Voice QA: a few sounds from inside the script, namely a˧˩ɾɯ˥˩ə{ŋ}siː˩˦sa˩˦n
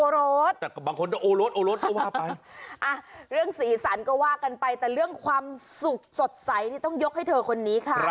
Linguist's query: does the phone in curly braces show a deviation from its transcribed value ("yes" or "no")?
no